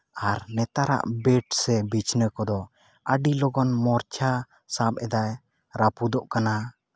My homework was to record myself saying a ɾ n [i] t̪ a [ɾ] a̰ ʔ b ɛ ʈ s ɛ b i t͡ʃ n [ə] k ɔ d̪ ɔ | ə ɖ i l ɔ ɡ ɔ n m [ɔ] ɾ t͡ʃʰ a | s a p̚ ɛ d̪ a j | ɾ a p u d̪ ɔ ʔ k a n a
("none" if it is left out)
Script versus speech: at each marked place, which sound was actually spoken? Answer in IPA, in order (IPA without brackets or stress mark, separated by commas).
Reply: ɛ, ɾ, ə, ɔ